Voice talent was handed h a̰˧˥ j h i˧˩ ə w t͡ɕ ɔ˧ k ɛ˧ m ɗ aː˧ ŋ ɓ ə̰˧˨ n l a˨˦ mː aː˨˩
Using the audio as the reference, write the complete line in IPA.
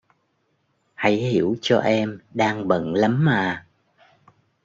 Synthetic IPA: h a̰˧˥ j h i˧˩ ə w t͡ɕ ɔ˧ ʔ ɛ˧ m ɗ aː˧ ŋ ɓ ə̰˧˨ n l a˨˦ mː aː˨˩